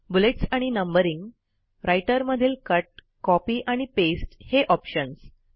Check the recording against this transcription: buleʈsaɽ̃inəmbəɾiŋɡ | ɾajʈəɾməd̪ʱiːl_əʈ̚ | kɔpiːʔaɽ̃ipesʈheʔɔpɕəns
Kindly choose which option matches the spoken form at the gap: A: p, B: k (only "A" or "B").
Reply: B